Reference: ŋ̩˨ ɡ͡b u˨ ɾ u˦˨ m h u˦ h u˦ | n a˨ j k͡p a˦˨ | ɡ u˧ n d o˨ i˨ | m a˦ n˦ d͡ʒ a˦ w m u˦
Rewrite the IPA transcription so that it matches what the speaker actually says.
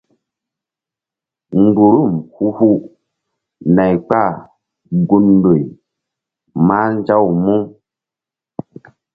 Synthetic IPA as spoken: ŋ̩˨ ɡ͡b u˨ ɾ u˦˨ m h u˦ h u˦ | n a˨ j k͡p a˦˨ | ɡ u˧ n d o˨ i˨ | m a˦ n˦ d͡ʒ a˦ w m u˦